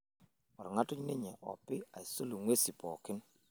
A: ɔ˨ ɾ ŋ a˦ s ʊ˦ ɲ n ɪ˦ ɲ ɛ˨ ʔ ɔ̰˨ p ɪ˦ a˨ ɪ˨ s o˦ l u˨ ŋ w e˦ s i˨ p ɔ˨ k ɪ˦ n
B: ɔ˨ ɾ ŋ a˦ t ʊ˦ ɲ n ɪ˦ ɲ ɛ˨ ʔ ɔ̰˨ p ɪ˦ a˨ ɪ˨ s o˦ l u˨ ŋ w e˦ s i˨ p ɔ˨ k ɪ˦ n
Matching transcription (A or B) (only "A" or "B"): B